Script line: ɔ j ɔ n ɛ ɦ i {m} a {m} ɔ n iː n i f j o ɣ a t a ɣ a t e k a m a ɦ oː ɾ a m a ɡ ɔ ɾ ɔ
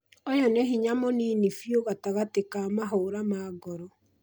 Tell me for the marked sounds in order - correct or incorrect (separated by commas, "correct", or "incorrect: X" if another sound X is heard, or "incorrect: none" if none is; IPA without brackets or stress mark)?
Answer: incorrect: ɲ, correct